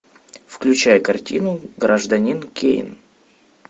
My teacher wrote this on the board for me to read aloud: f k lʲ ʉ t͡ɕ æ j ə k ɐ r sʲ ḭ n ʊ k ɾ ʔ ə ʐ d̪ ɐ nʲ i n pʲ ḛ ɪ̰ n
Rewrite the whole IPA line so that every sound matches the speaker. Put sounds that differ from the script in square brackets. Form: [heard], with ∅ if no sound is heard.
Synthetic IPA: f k lʲ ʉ t͡ɕ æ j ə k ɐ r [tʲ] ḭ n ʊ [ɡ] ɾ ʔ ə ʐ d̪ ɐ nʲ i n [kʲ] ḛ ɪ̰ n